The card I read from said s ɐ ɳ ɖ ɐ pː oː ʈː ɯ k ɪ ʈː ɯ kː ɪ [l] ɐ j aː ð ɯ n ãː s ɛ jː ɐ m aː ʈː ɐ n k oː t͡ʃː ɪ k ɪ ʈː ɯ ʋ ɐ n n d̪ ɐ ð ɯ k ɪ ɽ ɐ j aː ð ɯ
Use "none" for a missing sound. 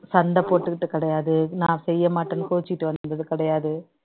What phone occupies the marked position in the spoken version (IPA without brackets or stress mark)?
ɽ